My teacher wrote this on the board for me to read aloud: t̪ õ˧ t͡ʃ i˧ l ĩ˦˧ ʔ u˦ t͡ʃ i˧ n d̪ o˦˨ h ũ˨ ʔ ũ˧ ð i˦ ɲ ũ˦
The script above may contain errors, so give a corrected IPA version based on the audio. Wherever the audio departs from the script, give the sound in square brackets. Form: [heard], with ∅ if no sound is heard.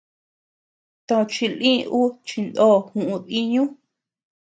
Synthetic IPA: t̪ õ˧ t͡ʃ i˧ l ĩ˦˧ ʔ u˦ t͡ʃ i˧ n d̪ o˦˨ h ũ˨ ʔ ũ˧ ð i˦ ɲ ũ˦